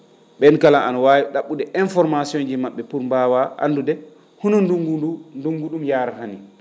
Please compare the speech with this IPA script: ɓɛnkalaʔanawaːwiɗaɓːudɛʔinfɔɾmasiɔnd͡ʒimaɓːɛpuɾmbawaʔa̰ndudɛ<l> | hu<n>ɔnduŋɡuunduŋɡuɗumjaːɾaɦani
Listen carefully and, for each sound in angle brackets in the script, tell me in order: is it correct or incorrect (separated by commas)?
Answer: incorrect, correct